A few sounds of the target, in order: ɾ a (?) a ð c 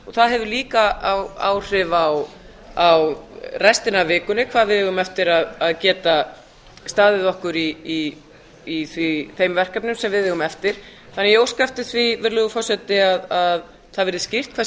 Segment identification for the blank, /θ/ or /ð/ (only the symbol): ð